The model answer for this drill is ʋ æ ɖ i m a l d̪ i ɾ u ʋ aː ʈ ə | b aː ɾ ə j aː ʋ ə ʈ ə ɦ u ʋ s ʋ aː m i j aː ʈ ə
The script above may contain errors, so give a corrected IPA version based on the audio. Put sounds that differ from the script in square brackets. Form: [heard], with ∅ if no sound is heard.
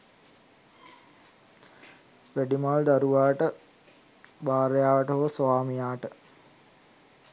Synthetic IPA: ʋ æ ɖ i m a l d̪ [a] ɾ u ʋ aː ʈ ə | b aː ɾ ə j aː ʋ ə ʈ ə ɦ [o] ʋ s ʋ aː m i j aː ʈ ə